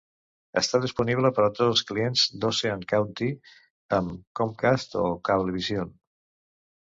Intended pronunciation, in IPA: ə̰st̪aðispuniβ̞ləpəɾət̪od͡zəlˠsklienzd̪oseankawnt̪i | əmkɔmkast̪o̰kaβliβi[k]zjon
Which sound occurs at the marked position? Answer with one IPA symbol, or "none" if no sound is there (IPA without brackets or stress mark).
none